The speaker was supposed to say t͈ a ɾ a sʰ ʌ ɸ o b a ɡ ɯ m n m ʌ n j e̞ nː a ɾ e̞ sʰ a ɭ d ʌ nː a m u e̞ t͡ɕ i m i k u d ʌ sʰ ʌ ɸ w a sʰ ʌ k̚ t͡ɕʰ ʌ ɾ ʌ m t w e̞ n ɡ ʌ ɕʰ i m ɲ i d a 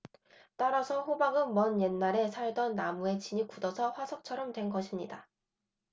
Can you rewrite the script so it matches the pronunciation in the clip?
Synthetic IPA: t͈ a ɾ a sʰ ʌ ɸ o b a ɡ ɯ n m ʌ n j e̞ nː a ɾ e̞ sʰ a ɭ d ʌ nː a m u e̞ t͡ɕ i ɲ i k u d ʌ sʰ ʌ ɸ w a sʰ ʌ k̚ t͡ɕʰ ʌ ɾ ʌ m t w e̞ n ɡ ʌ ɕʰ i m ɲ i d a